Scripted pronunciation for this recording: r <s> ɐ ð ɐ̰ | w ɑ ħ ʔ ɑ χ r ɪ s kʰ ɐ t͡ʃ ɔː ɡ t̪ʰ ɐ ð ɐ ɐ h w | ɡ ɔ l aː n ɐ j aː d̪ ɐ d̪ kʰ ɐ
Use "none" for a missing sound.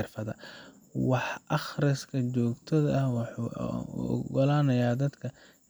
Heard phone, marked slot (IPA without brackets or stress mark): f